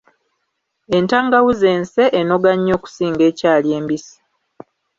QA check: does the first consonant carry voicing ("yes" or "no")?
yes